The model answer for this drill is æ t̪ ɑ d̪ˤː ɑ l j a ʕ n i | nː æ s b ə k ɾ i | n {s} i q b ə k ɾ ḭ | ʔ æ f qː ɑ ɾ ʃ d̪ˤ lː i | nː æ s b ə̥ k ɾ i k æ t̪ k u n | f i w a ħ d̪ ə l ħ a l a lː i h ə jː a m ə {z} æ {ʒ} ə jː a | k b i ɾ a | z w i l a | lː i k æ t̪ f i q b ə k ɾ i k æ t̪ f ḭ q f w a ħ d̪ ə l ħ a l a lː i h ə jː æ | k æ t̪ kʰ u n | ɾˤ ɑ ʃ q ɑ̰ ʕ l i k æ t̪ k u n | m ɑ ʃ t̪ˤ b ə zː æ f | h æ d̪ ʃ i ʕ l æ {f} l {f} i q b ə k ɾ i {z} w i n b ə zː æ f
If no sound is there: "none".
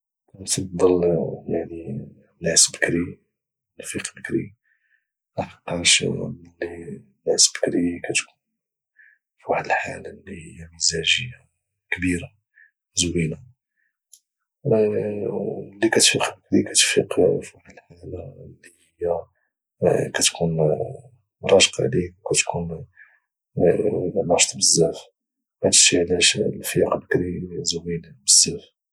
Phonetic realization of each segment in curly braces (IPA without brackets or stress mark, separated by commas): f, z, ʒ, ʃ, f, z